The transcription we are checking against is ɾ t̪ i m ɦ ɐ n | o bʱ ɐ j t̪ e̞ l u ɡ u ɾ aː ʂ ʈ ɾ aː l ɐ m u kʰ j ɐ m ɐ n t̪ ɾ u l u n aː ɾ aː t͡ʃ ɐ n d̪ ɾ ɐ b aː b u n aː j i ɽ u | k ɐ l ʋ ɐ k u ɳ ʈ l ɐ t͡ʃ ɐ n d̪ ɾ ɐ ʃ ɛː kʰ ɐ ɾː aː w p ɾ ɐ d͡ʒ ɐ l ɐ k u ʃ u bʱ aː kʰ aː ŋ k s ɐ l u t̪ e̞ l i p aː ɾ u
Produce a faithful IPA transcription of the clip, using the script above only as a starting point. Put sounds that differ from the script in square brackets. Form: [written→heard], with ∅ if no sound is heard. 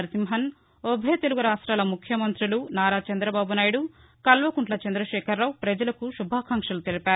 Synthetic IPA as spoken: ɾ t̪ i m ɦ ɐ n | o bʱ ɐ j t̪ e̞ l u ɡ u ɾ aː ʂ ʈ ɾ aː l ɐ m u kʰ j ɐ m ɐ n t̪ ɾ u l u n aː ɾ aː t͡ʃ ɐ n d̪ ɾ ɐ b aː b u n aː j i ɽ u | k ɐ l ʋ ɐ k u ɳ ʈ l ɐ t͡ʃ ɐ n d̪ ɾ ɐ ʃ ɛː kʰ ɐ ɾː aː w p ɾ ɐ d͡ʒ ɐ l ɐ k u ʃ u bʱ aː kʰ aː ŋ k [s→ʂ] ɐ l u t̪ e̞ l i p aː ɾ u

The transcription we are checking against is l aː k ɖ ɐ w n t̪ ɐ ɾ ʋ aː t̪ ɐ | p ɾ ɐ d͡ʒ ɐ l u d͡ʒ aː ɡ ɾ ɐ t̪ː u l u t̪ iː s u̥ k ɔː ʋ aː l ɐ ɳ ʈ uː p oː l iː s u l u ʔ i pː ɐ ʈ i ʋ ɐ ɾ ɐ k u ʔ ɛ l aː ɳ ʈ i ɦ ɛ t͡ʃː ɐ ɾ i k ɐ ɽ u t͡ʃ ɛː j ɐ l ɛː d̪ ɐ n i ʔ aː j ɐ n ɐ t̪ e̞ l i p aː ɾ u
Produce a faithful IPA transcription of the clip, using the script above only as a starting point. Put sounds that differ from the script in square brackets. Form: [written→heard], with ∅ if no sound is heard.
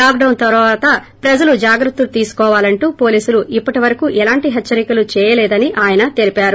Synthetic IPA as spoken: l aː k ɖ ɐ w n t̪ ɐ ɾ ʋ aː t̪ ɐ | p ɾ ɐ d͡ʒ ɐ l u d͡ʒ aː ɡ ɾ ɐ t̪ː u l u t̪ iː s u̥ k ɔː ʋ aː l ɐ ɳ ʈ uː p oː l iː s u l u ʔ i pː ɐ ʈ i ʋ ɐ ɾ ɐ k u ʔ ɛ l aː ɳ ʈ i ɦ ɛ t͡ʃː ɐ ɾ i k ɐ [ɽ→l] u t͡ʃ ɛː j ɐ l ɛː d̪ ɐ n i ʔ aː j ɐ n ɐ t̪ e̞ l i p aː ɾ u

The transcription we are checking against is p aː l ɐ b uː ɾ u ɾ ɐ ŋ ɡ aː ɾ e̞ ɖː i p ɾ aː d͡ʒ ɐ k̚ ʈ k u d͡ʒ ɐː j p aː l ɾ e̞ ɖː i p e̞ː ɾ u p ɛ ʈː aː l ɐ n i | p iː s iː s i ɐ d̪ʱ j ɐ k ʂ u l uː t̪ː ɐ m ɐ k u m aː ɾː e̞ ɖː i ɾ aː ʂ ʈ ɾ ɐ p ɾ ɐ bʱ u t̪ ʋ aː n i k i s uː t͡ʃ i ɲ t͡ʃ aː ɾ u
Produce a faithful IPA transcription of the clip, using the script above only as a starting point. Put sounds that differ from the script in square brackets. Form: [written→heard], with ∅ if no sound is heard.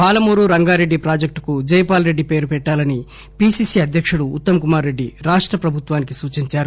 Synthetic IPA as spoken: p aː l ɐ [b→m] uː ɾ u ɾ ɐ ŋ ɡ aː ɾ e̞ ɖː i p ɾ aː d͡ʒ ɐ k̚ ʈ k u d͡ʒ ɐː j p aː l ɾ e̞ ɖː i p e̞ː ɾ u p ɛ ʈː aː l ɐ n i | p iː s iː s i ɐ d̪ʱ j ɐ k ʂ u [l→ɽ] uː t̪ː ɐ m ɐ k u m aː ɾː e̞ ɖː i ɾ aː ʂ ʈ ɾ ɐ p ɾ ɐ bʱ u t̪ ʋ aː n i k i s uː t͡ʃ i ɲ t͡ʃ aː ɾ u

